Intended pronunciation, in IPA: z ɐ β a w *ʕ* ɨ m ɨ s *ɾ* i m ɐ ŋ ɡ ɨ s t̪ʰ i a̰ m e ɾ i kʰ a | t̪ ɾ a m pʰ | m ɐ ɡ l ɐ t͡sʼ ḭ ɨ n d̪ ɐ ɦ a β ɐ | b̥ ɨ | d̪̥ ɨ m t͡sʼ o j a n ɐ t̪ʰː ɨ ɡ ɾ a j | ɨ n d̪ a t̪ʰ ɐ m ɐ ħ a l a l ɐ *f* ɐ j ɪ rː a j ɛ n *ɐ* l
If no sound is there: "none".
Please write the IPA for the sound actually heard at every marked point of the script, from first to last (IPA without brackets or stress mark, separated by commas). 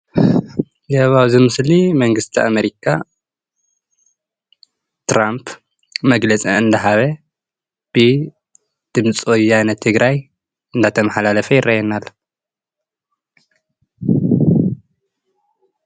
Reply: z, l, f, a